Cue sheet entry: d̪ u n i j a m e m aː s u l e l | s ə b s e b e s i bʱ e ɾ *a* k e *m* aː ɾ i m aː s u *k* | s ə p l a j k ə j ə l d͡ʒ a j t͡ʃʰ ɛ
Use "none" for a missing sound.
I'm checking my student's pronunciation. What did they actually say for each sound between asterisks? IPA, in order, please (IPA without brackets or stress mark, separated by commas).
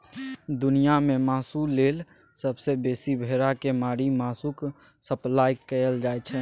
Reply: a, m, k